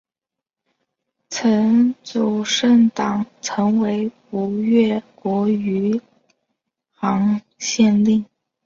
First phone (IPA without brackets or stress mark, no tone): t͡sʰ